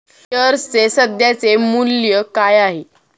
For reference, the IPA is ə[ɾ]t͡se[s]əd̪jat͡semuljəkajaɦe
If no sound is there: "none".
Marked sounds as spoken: ɾ, s

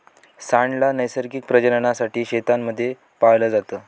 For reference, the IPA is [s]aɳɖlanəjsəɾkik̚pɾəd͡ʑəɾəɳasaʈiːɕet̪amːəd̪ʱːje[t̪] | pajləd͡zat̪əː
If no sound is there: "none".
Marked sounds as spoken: s, none

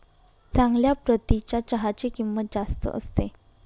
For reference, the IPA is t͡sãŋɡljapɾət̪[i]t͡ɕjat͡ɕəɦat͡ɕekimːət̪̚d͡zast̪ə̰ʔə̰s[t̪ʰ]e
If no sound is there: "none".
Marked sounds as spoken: i, t̪

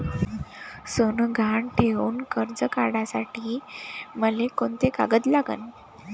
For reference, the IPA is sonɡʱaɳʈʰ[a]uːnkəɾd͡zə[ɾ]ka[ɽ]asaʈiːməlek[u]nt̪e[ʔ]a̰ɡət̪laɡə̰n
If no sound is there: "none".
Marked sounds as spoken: e, none, ɽ, o, k

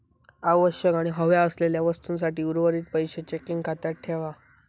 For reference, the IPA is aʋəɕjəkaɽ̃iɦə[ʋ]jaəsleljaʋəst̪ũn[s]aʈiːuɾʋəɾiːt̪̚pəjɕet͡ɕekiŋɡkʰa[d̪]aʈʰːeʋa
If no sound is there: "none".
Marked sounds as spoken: ʋ, s, t̪

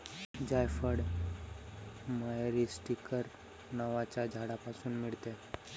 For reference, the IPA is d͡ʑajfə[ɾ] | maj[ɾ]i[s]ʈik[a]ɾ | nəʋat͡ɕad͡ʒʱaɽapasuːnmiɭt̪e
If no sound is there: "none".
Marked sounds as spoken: ɽ, ɾ, s, ə

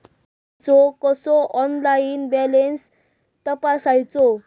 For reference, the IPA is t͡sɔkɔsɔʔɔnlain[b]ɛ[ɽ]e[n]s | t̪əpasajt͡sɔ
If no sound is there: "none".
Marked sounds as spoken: b, l, n

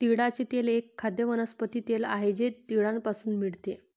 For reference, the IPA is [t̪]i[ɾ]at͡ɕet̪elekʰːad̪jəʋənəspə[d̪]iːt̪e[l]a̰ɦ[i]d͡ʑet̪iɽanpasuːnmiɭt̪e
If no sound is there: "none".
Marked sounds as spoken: t̪, ɽ, t̪, l, e

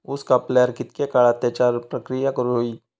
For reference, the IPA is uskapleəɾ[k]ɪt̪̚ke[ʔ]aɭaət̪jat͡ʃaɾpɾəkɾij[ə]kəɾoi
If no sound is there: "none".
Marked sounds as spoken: k, k, a

